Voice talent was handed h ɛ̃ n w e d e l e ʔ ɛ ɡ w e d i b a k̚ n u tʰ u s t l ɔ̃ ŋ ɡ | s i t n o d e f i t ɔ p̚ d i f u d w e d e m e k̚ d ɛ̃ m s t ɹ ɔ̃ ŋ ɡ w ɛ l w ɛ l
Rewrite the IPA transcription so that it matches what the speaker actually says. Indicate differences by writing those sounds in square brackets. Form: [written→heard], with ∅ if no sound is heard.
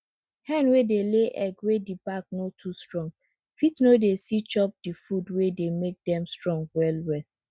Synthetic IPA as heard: h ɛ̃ n w e d e l e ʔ ɛ ɡ w e d i b a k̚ n [u→o] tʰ u s t [l→ɹ] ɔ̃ ŋ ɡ | [s→f] i t n o d e [f→s] i [t→t͡ʃ] ɔ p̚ d i f u d w e d e m e k̚ d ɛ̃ m s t ɹ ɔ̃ ŋ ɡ w ɛ l w ɛ l